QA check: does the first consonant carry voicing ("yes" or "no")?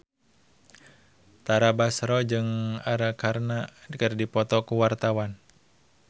no